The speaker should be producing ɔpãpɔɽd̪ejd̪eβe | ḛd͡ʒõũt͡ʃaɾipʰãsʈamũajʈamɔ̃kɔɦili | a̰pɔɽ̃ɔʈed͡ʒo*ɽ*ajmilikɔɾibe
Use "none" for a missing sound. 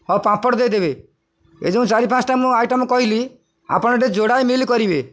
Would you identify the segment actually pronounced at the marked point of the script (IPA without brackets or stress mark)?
ɽ